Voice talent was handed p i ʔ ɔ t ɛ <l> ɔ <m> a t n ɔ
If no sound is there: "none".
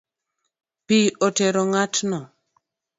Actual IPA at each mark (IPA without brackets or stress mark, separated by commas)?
ɾ, ŋ